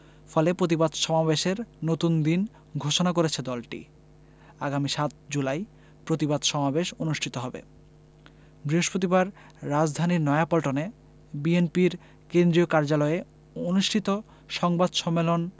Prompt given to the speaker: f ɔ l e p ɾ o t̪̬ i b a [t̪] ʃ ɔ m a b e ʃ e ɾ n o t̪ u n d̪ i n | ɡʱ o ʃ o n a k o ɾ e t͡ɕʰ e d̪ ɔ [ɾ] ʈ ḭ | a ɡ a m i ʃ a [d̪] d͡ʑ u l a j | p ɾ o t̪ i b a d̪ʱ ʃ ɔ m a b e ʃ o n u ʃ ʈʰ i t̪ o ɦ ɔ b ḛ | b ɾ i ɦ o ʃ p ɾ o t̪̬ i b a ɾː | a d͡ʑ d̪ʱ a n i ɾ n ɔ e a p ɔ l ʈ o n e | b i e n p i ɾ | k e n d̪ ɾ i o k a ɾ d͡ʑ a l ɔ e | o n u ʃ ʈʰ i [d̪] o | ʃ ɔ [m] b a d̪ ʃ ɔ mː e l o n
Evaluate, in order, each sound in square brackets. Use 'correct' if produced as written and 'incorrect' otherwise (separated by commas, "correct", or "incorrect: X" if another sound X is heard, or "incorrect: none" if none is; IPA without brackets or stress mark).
incorrect: d̪, incorrect: l, incorrect: t̪, incorrect: t̪, incorrect: ŋ